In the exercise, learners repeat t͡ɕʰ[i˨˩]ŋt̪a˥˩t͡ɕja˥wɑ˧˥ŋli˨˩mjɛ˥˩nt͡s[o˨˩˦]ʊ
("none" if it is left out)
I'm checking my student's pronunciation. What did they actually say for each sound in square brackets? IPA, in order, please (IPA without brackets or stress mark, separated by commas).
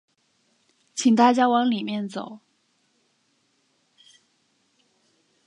i˨˩, o˨˩˦